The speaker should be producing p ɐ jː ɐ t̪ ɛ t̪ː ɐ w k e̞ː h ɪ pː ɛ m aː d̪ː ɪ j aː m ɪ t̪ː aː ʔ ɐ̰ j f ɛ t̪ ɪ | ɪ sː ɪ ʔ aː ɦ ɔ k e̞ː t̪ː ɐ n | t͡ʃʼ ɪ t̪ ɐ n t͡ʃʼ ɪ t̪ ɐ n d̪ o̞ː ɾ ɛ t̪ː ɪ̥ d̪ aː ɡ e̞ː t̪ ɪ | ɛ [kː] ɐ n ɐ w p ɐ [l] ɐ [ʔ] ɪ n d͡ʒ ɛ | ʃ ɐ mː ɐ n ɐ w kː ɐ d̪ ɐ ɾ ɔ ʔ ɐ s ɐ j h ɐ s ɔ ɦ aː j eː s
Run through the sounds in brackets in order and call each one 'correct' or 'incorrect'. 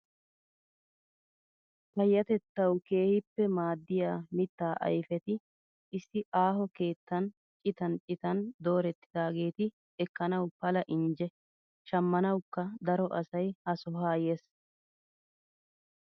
correct, correct, correct

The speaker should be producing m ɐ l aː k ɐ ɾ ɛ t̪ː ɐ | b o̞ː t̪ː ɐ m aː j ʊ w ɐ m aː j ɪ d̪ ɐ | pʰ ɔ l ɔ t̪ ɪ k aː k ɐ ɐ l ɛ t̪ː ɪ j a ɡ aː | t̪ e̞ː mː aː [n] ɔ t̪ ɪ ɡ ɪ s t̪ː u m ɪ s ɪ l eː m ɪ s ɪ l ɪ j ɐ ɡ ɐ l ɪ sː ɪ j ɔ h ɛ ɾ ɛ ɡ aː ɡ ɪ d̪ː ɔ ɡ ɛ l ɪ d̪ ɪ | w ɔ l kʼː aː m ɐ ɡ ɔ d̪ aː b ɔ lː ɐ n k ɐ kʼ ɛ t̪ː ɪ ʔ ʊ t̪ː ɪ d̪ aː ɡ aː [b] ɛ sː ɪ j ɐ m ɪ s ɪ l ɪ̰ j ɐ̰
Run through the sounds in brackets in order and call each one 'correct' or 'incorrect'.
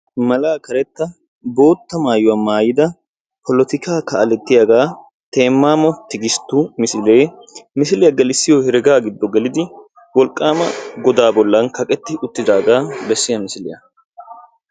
incorrect, correct

